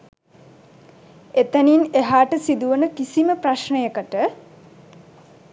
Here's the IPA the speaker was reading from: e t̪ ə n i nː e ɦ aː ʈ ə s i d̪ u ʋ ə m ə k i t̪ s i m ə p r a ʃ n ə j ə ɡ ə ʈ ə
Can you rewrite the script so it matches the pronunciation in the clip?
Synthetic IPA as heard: e t̪ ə n i n e ɦ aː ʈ ə s i d̪ u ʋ ə n ə k i s i m ə p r a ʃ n ə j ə k ə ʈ ə